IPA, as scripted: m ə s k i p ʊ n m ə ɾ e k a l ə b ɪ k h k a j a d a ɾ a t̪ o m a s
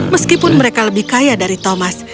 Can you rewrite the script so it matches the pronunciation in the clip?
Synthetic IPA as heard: m ə s k i p ʊ n m ə ɾ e k a l ə b ɪ h k a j a d a ɾ i t̪ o m a s